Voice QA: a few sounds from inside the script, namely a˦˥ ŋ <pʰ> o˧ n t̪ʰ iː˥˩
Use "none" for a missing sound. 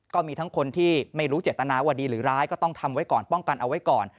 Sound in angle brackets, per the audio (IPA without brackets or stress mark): kʰ